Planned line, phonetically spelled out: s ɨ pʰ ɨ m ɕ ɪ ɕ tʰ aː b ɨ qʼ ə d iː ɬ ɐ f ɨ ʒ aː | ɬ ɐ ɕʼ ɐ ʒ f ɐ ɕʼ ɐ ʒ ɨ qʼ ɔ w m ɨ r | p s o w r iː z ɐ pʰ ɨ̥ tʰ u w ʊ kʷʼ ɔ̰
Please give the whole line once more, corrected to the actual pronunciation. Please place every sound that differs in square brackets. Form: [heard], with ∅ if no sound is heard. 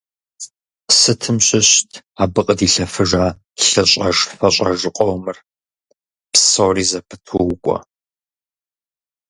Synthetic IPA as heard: s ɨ [tʰ] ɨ m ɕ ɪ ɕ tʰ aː b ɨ qʼ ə d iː ɬ ɐ f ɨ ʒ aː | ɬ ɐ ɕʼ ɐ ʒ f ɐ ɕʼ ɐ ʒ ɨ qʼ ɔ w m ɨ r | p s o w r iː z ɐ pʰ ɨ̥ tʰ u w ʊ kʷʼ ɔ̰